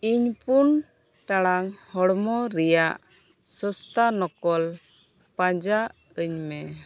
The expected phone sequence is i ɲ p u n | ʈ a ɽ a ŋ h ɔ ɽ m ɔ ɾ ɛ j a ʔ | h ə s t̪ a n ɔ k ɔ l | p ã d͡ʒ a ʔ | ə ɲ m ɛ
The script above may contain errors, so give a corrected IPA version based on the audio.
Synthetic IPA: i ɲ p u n | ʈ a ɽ a ŋ h ɔ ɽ m ɔ ɾ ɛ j a ʔ | s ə s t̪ a n ɔ k ɔ l | p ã d͡ʒ a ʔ | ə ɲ m ɛ